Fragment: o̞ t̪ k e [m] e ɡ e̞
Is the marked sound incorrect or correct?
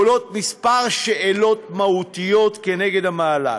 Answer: incorrect